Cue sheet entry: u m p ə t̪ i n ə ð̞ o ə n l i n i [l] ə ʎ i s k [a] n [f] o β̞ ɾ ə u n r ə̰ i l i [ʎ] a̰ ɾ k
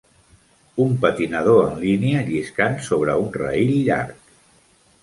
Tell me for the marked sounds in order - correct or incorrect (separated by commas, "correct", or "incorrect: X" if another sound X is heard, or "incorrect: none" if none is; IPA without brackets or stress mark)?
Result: incorrect: none, correct, incorrect: s, correct